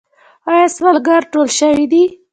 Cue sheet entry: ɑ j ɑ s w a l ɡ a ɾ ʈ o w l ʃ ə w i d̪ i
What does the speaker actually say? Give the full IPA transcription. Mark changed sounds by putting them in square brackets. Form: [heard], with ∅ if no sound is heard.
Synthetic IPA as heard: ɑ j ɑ s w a l ɡ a ɾ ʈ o [∅] l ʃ ə w i d̪ i

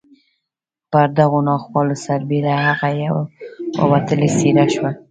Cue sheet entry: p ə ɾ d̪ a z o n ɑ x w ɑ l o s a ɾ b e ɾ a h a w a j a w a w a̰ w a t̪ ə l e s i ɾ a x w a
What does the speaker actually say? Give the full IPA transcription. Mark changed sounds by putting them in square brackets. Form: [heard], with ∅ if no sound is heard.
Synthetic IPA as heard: p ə ɾ d̪ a [ɣ] o n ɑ x w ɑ l o s a ɾ b e ɾ a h a [ɣ] a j a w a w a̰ w a t̪ ə l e s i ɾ a [ʃ] w a

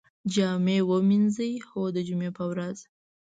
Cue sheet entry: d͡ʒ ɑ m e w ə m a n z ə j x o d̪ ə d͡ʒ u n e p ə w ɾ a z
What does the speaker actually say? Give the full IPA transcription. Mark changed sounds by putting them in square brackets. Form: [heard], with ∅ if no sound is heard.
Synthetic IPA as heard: d͡ʒ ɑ m e w ə m [i] n z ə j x o d̪ ə d͡ʒ u [m] e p ə w ɾ a z

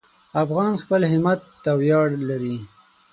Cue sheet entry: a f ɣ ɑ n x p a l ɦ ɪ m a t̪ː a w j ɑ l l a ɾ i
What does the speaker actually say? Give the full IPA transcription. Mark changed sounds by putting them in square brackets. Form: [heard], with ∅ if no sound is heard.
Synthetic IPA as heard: a f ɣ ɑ n x p [ə] l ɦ ɪ m a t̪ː a w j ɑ [ɽ] l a ɾ i

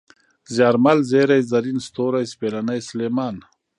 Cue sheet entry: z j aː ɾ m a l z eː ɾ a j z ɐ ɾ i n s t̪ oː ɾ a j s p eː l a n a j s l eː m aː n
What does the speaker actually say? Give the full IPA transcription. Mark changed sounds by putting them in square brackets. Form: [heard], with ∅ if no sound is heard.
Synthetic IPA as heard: z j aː ɾ m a l z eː ɾ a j z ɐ ɾ i n s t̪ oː ɾ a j s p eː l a n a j s l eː m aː n

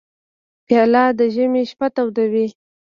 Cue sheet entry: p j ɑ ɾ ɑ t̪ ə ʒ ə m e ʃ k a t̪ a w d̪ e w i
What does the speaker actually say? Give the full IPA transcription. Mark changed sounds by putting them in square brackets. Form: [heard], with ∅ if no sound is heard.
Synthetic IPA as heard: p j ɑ [l] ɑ [d̪] ə ʒ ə m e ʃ [p] a t̪ a w d̪ [a] w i

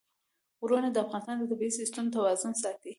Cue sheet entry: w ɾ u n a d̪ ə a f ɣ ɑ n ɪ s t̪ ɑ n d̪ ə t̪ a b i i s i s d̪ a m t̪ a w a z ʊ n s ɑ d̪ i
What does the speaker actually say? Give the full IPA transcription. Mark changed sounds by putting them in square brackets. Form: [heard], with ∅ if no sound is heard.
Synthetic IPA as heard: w ɾ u n a d̪ ə a f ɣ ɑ n ɪ s t̪ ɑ n d̪ ə t̪ a b i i s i s [t̪] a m t̪ a w [ɑ] z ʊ n s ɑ [t̪] i

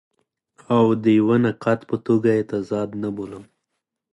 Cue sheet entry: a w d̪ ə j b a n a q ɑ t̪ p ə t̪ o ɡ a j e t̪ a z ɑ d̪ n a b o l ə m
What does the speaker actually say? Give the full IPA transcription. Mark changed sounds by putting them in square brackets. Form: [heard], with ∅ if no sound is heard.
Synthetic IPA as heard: a w d̪ ə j [w] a n a q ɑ t̪ p ə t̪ o ɡ a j e t̪ a z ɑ d̪ n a b o l ə m

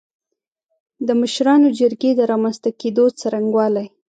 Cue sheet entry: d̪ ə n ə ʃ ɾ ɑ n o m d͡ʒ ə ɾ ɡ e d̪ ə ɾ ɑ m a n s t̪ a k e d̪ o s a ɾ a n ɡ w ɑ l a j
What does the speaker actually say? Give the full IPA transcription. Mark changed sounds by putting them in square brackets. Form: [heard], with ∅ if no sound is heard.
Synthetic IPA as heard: d̪ ə [m] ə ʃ ɾ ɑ n o [∅] d͡ʒ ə ɾ ɡ e d̪ ə ɾ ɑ m a n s t̪ a k e d̪ o [t͡s] a ɾ a [ŋ] ɡ w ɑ l a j

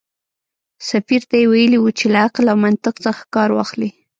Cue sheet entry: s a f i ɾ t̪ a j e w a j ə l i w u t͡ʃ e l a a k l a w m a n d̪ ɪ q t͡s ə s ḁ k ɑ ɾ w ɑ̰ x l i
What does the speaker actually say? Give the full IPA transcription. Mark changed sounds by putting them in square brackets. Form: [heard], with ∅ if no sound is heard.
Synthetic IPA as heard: s a f i ɾ t̪ a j e w a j ə l i w u t͡ʃ e l a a [q] l a w m a n [t̪] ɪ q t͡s ə [x] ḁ k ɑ ɾ w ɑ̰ x l i

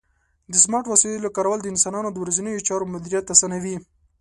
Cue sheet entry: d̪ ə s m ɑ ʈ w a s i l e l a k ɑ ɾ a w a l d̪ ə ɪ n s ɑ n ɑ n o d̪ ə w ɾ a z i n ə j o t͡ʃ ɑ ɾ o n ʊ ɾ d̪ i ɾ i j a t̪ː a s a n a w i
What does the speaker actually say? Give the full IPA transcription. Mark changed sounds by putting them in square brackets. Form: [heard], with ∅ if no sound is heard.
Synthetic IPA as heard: d̪ ə s m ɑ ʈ w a s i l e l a k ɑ ɾ a w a l d̪ ə ɪ n s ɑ n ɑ n o d̪ ə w ɾ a z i n ə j o t͡ʃ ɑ ɾ o [m] ʊ [∅] d̪ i ɾ i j a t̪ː a s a n a w i

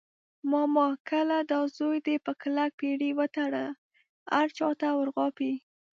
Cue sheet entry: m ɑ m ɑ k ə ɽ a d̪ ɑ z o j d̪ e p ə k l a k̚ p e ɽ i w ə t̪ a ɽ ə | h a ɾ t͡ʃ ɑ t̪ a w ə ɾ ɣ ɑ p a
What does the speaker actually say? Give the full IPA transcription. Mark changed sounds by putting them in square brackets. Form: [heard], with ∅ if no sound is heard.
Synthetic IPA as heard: m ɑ m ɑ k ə [l] a d̪ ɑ z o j d̪ e p ə k l a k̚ p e ɽ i w ə t̪ a ɽ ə | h a ɾ t͡ʃ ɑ t̪ a w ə ɾ ɣ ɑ p [i]

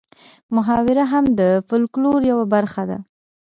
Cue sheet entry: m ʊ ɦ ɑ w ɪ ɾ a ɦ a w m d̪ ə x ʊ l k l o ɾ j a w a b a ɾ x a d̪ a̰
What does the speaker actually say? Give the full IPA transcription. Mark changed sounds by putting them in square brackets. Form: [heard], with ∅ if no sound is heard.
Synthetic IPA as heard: m ʊ ɦ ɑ w ɪ ɾ a ɦ a [∅] m d̪ ə [f] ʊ l k l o ɾ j a w a b a ɾ x a d̪ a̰

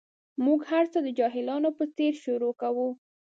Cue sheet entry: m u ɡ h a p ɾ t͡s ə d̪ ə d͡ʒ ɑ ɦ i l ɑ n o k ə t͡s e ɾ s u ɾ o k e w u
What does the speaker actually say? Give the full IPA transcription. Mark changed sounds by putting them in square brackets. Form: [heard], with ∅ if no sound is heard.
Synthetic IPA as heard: m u ɡ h a [∅] ɾ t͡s ə d̪ ə d͡ʒ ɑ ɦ [ɪ] l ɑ n o [p] ə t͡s e ɾ [ʃ] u ɾ o k [a] w u

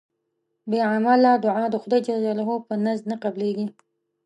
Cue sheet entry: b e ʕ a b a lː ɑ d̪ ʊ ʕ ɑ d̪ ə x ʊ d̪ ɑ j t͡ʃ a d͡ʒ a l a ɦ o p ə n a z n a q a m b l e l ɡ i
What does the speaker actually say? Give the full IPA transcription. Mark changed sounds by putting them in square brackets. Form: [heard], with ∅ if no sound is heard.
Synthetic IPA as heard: b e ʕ a [m] a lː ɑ d̪ ʊ ʕ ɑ d̪ ə x ʊ d̪ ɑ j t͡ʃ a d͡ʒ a l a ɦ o p ə n a z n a q a [∅] b l e [∅] ɡ i

